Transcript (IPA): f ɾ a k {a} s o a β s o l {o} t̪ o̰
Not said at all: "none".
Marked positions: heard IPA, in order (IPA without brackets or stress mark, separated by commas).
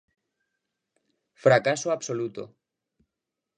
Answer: a, u